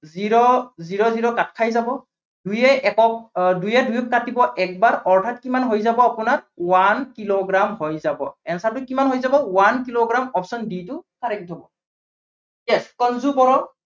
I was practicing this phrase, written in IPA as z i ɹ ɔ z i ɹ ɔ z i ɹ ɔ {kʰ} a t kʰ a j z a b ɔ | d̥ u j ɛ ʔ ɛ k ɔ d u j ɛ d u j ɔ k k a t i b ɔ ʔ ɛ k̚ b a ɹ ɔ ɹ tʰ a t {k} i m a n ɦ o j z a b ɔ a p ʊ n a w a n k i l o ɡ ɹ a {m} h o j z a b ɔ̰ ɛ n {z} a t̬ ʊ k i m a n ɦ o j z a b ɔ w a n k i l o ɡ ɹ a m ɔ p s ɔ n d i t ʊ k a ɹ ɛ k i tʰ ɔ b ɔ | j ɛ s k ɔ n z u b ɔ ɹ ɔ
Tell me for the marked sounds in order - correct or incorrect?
incorrect, correct, correct, incorrect

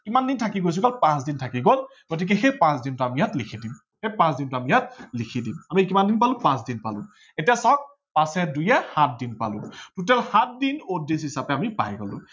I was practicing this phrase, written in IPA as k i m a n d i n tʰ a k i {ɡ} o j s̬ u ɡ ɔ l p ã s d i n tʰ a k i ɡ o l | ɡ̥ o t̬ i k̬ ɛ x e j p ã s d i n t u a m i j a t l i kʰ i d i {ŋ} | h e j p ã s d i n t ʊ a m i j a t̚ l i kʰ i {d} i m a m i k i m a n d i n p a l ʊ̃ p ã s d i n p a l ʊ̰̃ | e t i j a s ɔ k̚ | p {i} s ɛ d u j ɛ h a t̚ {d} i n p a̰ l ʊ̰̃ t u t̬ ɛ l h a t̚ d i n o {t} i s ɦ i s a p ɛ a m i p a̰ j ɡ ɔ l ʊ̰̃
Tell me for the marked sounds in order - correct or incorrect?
correct, incorrect, correct, incorrect, correct, incorrect

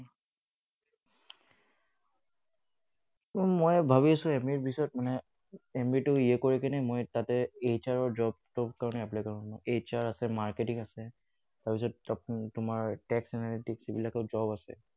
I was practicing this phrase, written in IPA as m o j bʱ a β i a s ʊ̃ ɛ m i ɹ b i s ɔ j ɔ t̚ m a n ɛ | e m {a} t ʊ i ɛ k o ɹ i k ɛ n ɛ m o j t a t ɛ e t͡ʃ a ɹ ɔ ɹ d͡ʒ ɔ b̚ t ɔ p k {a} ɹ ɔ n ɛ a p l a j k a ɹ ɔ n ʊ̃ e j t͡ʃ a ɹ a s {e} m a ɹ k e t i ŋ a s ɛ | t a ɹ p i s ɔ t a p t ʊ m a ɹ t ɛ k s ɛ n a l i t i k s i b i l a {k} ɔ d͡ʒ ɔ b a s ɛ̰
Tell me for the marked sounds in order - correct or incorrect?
incorrect, correct, incorrect, correct

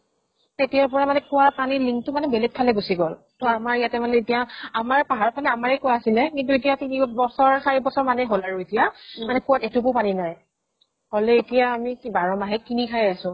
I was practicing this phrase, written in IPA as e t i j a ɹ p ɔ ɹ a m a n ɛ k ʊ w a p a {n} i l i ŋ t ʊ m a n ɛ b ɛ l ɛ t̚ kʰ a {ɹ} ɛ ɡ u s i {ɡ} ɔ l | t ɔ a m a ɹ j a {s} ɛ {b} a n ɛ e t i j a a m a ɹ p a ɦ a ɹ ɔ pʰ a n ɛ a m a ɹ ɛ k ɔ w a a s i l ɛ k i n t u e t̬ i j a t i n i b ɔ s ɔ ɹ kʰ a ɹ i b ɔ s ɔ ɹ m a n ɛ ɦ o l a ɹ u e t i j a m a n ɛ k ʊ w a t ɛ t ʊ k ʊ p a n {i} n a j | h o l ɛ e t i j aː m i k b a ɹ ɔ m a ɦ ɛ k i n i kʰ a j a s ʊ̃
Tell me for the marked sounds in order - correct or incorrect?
correct, incorrect, correct, incorrect, incorrect, correct

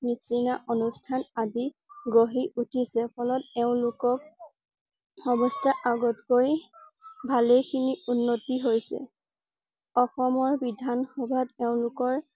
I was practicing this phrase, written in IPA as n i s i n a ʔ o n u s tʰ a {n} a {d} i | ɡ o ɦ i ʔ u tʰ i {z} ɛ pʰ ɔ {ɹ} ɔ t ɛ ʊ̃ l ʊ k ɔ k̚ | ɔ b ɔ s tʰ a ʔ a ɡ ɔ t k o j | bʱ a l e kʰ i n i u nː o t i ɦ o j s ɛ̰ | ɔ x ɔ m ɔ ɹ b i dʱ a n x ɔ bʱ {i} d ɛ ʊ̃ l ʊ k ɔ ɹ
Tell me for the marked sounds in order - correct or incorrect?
correct, correct, incorrect, incorrect, incorrect

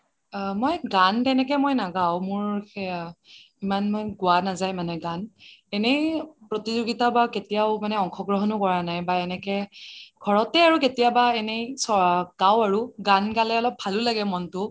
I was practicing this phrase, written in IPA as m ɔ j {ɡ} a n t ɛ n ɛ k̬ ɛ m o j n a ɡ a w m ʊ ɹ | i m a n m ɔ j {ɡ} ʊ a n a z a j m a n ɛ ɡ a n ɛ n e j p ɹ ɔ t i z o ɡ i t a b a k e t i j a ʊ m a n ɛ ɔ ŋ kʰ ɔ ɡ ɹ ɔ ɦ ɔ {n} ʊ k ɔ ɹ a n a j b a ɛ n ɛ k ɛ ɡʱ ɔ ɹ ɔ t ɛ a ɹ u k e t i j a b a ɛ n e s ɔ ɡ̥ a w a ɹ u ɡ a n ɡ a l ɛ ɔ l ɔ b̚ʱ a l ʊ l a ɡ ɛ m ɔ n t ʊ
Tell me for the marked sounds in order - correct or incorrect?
correct, correct, correct

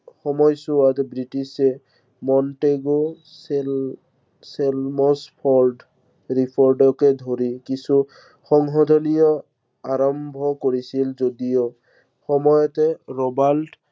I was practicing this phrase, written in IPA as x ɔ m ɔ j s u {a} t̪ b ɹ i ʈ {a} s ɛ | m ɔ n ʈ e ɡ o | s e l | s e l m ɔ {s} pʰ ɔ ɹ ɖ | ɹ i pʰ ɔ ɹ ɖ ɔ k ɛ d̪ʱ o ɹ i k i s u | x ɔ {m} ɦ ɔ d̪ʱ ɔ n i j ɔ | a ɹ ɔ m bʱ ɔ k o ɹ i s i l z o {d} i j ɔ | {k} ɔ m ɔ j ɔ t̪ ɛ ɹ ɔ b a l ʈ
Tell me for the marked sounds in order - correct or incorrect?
correct, incorrect, correct, incorrect, correct, incorrect

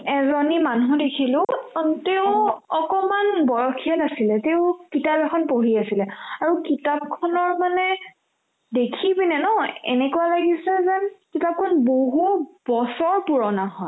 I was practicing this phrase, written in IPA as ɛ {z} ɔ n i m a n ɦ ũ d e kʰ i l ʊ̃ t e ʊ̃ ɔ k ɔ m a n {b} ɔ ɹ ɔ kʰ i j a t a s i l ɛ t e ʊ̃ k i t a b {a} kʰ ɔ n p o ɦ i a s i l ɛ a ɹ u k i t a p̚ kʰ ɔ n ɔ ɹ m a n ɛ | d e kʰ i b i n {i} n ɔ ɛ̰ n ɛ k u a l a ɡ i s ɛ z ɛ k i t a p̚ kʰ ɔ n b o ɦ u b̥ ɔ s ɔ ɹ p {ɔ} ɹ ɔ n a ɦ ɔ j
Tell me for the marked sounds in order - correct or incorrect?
correct, correct, incorrect, incorrect, incorrect

